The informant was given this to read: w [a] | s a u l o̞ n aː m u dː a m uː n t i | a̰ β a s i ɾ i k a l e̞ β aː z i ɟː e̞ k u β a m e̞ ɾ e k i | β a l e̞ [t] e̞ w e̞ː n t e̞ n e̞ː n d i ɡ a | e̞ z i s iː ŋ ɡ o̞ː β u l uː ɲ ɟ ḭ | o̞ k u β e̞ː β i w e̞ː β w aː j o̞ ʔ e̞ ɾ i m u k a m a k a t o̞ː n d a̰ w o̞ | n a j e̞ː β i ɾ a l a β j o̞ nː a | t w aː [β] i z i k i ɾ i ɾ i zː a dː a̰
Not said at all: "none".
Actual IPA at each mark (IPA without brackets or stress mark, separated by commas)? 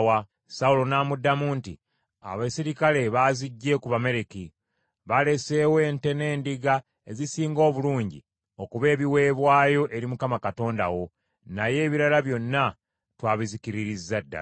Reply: a, s, β